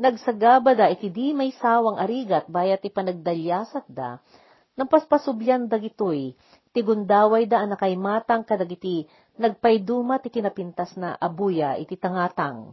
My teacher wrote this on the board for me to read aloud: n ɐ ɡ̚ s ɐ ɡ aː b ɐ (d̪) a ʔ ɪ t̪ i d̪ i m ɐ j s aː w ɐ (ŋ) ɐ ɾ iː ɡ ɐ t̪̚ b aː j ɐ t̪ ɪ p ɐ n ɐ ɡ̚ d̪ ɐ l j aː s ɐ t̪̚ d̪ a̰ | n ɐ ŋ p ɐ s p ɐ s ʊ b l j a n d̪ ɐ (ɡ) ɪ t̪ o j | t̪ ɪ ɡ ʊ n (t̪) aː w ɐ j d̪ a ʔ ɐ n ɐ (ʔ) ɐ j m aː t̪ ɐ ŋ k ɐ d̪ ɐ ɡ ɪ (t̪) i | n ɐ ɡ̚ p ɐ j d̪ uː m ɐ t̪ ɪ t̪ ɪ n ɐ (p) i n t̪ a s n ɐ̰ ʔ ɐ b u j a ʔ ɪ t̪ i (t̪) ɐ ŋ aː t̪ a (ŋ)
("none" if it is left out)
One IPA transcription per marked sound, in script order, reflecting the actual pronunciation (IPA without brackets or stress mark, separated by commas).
d̪, ŋ, ɡ, d̪, k, t̪, p, t̪, ŋ